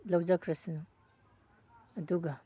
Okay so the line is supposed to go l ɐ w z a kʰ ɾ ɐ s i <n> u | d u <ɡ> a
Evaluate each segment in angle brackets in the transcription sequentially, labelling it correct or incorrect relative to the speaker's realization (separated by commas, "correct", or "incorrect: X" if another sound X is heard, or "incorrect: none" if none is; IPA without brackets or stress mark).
correct, correct